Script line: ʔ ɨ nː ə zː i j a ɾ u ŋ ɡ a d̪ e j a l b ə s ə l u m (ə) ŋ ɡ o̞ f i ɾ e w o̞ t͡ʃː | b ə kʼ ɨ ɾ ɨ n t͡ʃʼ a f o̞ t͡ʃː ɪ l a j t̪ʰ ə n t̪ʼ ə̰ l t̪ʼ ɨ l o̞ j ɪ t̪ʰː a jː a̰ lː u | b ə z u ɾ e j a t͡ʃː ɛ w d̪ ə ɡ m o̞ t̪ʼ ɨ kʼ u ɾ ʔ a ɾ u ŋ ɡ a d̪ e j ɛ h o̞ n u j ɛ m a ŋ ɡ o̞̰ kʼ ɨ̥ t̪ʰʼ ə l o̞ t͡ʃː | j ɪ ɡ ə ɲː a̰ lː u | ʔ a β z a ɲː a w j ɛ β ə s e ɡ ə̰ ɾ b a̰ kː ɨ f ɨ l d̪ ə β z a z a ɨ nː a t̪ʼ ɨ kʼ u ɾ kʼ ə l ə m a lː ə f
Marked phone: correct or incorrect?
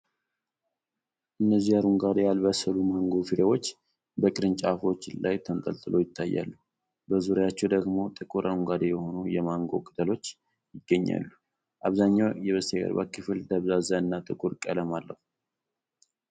incorrect